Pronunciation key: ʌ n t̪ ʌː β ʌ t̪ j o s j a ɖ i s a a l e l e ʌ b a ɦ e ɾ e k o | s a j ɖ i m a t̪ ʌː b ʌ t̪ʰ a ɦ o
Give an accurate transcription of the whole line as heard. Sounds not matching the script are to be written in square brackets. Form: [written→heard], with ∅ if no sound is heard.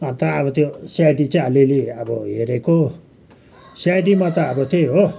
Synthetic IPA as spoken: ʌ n t̪ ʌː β ʌ t̪ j o s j a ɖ i [s→t͡s] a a l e l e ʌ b [a→ʌ] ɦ e ɾ e k o | s a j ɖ i m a t̪ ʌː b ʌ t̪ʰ [a→e] ɦ o